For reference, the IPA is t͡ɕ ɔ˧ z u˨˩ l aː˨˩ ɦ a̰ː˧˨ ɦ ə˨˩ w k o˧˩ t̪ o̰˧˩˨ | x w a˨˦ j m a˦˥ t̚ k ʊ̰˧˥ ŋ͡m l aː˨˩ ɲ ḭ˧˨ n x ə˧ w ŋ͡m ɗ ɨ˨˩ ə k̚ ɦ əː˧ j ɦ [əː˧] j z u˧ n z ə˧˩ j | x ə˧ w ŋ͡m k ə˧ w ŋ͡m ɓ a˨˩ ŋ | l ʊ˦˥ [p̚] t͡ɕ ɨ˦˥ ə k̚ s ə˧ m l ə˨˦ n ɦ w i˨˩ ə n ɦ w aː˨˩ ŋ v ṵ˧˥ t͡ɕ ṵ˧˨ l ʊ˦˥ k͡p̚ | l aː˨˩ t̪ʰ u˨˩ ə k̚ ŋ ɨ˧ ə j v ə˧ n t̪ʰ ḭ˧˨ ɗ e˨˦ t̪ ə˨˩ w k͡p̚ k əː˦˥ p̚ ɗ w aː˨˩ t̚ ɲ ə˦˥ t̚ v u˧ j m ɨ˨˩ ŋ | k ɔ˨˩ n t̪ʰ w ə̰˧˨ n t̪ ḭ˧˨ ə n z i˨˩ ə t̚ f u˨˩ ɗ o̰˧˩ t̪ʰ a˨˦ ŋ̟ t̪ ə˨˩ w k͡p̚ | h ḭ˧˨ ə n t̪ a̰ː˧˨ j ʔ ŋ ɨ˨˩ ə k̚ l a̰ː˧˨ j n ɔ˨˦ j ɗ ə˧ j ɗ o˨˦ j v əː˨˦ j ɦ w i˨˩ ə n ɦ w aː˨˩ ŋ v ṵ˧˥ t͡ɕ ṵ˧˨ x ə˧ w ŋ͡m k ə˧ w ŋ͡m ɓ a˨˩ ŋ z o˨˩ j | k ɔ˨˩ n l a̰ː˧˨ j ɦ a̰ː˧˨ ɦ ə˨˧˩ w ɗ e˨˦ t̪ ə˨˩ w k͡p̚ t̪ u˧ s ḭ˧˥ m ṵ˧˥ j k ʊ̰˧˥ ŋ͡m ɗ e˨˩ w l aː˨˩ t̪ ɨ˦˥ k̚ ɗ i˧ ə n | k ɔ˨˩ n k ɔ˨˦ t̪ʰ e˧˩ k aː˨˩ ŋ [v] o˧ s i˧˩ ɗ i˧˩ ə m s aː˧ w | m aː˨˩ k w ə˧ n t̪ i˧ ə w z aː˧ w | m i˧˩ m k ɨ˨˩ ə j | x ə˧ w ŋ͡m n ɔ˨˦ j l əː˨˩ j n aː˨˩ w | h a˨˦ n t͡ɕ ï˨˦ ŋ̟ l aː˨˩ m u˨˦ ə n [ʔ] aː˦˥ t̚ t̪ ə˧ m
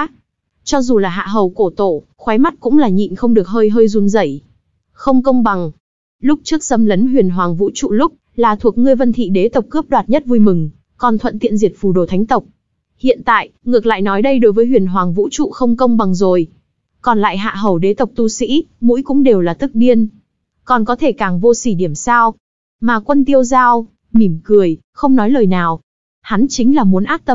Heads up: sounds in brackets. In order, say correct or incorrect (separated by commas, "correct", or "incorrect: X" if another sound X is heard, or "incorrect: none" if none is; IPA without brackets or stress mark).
correct, incorrect: k͡p̚, correct, correct